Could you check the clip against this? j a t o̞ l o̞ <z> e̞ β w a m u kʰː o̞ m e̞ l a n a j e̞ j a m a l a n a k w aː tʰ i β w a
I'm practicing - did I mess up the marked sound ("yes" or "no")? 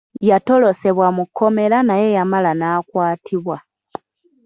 yes